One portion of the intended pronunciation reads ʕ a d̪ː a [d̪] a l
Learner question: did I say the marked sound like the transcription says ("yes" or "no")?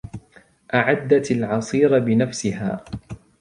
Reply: no